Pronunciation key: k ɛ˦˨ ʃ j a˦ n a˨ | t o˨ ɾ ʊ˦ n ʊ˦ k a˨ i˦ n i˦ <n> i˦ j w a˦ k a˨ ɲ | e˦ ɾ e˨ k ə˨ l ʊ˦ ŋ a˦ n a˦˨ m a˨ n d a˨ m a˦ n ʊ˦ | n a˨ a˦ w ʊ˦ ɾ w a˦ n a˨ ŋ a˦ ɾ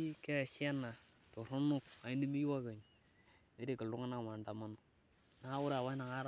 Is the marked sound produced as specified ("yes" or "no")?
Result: no